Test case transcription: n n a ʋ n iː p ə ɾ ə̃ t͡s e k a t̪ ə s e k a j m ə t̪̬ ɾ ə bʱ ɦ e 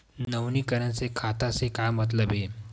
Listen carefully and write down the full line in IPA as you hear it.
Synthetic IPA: n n ə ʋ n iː k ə ɾ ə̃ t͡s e kʰ a t̪ a s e k a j m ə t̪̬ l ə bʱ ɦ e